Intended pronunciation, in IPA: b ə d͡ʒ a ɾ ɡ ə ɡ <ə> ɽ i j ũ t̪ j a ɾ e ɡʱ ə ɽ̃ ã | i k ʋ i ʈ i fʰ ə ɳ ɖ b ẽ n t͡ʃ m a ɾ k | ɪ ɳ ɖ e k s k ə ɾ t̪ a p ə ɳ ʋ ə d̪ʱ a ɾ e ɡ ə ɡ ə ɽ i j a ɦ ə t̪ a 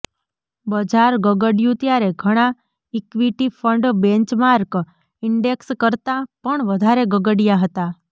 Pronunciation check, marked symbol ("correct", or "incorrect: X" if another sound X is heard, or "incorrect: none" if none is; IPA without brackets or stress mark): correct